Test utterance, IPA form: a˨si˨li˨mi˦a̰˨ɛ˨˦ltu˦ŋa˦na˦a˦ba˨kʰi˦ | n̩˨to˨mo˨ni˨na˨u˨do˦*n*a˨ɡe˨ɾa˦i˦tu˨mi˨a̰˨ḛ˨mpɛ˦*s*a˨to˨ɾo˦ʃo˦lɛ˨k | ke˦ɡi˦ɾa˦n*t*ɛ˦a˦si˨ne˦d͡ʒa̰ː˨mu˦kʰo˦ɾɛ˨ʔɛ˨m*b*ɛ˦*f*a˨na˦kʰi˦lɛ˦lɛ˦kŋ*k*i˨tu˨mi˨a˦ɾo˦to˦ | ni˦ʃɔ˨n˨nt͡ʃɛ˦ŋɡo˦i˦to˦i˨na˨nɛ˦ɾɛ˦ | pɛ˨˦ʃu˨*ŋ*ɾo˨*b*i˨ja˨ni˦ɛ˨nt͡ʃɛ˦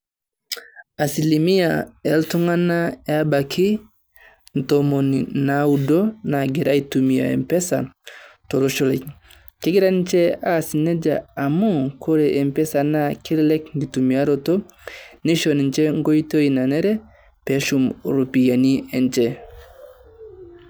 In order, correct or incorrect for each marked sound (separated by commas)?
correct, correct, incorrect, incorrect, incorrect, incorrect, incorrect, incorrect